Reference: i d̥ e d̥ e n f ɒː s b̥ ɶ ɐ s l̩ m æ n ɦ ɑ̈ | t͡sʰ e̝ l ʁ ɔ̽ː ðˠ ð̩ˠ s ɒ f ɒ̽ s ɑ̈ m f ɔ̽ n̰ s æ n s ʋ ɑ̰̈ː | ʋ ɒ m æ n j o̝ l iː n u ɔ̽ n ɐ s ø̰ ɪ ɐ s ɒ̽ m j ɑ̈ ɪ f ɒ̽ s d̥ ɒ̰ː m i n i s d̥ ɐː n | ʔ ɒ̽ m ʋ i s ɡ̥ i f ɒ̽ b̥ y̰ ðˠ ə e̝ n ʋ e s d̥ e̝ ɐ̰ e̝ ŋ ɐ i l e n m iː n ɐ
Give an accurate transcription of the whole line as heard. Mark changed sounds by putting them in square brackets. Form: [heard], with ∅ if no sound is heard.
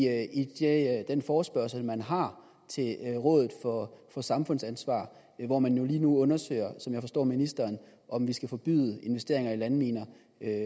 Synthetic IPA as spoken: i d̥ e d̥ e n f ɒː s b̥ ɶ ɐ s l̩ m æ n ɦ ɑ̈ | t͡sʰ e̝ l ʁ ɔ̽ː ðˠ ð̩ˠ [f] ɒ f ɒ̽ s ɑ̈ m f ɔ̽ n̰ s æ n s ʋ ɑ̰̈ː | ʋ ɒ m æ n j o̝ l iː n u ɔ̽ n ɐ s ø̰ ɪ ɐ s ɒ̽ m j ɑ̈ ɪ f ɒ̽ s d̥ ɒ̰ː m i n i s d̥ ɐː n | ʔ ɒ̽ m ʋ i s ɡ̥ [æ] f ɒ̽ b̥ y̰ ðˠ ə e̝ n ʋ e s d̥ e̝ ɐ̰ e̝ ŋ ɐ i l [æ] n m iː n ɐ

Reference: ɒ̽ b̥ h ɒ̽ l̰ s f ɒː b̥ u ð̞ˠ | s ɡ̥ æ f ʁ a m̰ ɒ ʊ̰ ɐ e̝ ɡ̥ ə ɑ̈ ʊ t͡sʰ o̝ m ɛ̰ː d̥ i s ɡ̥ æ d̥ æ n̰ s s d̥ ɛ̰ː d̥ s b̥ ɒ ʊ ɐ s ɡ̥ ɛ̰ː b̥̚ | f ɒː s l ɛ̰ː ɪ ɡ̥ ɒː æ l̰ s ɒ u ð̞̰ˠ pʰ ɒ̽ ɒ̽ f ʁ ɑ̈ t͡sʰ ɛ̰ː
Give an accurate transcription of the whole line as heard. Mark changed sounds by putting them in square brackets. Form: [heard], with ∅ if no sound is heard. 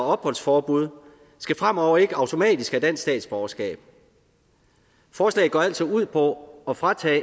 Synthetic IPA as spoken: ɒ̽ b̥ h ɒ̽ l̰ s f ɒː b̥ u ð̞ˠ | s ɡ̥ æ f ʁ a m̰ ɒ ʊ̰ ɐ e̝ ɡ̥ ə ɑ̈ ʊ t͡sʰ o̝ m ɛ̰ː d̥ i s ɡ̥ æ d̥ æ n̰ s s d̥ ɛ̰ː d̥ s b̥ ɒ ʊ ɐ s ɡ̥ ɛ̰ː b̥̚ | f ɒː s l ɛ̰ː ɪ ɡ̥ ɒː æ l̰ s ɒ u ð̞̰ˠ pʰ ɒ̽ ɒ̽ f ʁ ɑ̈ t͡sʰ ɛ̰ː

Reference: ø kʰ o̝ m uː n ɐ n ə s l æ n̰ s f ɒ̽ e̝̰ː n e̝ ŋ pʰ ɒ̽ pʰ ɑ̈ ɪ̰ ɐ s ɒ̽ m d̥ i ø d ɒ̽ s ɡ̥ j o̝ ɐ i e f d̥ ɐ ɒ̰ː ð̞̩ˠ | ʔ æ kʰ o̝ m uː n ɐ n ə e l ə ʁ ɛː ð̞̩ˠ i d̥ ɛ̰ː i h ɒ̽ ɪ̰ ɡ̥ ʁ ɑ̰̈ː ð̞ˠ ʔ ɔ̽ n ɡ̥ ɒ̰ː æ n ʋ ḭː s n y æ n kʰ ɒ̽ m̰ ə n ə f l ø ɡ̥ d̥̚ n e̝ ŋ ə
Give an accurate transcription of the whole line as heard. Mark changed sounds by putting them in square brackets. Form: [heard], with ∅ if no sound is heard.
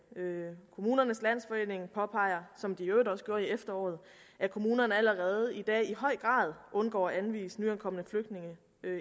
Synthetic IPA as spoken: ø kʰ o̝ m uː n ɐ n ə s l æ n̰ s f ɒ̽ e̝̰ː n e̝ ŋ pʰ ɒ̽ pʰ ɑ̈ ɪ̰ ɐ s ɒ̽ m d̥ i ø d ɒ̽ s ɡ̥ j o̝ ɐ i e f d̥ ɐ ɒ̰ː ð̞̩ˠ | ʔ æ kʰ o̝ m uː n ɐ n ə [æ] l ə ʁ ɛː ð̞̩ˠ i d̥ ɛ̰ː i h ɒ̽ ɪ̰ ɡ̥ ʁ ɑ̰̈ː ð̞ˠ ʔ ɔ̽ n ɡ̥ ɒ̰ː æ n ʋ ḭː s n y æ n kʰ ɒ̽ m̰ ə n ə f l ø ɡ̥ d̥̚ n e̝ ŋ ə

